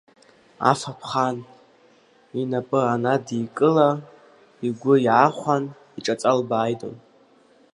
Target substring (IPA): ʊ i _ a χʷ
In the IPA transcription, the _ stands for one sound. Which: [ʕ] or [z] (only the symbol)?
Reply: ʕ